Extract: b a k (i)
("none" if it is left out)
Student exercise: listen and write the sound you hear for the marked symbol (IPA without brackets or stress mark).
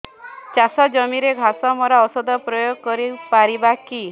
i